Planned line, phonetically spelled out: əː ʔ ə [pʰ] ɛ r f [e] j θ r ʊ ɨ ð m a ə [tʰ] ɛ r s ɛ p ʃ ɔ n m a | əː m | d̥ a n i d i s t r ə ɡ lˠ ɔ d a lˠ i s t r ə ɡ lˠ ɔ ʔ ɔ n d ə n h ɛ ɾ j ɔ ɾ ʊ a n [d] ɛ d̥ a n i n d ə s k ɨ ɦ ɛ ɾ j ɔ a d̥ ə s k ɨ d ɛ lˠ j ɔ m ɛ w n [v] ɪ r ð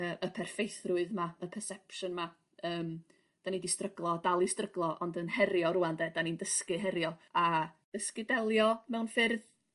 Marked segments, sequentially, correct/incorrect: correct, correct, incorrect: pʰ, correct, incorrect: f

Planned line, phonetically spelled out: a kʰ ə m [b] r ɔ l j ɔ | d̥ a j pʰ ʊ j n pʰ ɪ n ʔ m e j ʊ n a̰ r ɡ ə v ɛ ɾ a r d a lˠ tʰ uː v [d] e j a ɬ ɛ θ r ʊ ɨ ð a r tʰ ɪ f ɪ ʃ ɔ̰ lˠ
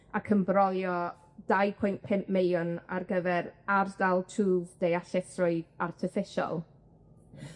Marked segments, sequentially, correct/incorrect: correct, correct

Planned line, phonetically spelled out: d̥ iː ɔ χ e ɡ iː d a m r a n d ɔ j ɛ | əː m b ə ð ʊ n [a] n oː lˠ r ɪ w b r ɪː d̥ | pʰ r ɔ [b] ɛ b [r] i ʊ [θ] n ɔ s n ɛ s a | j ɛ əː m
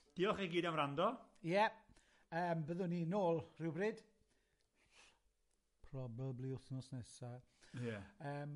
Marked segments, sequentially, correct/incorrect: incorrect: i, correct, incorrect: l, correct

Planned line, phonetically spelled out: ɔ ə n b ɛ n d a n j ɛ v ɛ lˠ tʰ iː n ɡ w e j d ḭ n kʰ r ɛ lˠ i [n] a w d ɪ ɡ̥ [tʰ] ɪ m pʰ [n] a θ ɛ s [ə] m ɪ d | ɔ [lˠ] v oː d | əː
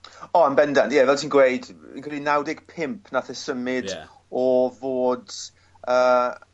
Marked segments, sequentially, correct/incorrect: correct, incorrect: pʰ, correct, correct, incorrect: none

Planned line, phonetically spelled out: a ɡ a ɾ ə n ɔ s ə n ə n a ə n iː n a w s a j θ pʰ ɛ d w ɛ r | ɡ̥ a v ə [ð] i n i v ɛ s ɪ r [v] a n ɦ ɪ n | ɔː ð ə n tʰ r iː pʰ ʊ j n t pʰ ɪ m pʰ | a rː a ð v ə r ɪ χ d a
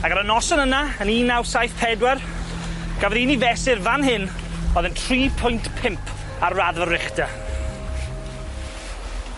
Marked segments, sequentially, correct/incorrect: correct, correct

